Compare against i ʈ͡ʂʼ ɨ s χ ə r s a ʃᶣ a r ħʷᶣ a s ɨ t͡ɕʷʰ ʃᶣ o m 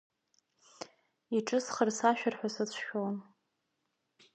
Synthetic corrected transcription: i ʈ͡ʂʼ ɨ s χ ə r s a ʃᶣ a r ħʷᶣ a s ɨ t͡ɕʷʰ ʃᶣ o n